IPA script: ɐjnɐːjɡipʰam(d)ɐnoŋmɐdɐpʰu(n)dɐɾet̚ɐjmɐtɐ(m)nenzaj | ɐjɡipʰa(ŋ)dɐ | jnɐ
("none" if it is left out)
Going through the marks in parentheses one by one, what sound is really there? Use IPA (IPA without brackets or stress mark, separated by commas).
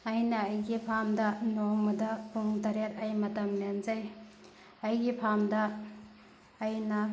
d, ŋ, m, m